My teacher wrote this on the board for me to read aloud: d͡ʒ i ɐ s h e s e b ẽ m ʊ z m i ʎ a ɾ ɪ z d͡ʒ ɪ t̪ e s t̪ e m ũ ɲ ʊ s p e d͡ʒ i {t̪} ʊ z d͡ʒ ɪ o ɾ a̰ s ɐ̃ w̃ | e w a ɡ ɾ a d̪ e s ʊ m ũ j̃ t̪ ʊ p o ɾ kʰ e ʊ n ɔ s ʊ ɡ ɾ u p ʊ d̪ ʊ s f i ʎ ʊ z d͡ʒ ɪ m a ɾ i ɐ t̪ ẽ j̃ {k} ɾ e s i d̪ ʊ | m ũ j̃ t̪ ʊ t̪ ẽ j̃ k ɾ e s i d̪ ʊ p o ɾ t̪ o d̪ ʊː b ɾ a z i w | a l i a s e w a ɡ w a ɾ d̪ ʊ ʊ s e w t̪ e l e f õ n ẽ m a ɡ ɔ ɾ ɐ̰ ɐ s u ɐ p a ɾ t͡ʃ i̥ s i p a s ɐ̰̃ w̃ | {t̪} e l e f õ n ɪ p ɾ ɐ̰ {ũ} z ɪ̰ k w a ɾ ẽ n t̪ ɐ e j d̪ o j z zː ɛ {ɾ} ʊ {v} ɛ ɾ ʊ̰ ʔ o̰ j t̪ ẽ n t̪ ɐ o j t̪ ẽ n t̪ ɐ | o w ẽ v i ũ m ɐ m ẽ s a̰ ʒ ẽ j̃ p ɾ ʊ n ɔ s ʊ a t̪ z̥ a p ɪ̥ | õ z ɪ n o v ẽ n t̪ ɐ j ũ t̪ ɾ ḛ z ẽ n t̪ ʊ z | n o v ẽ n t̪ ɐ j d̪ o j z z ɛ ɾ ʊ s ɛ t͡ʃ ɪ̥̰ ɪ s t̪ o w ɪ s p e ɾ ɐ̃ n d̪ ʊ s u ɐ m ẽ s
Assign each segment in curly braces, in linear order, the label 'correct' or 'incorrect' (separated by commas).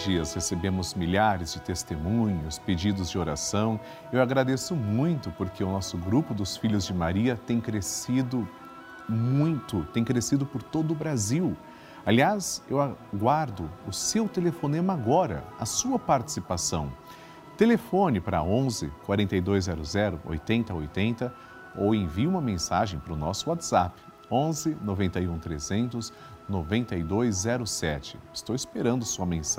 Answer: incorrect, correct, correct, incorrect, correct, incorrect